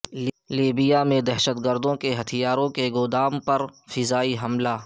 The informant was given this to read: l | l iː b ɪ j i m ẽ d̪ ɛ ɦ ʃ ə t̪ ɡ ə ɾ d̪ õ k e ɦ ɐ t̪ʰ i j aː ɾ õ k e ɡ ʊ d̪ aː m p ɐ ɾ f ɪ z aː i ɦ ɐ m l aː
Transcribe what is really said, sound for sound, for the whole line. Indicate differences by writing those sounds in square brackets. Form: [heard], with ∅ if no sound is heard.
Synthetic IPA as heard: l | l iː b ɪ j [a] m ẽ d̪ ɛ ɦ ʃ ə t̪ ɡ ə ɾ d̪ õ k e ɦ ɐ t̪ʰ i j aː ɾ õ k e ɡ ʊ d̪ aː m p ɐ ɾ f ɪ z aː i ɦ ɐ m l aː